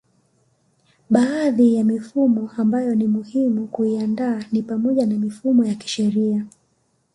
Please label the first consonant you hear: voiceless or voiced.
voiced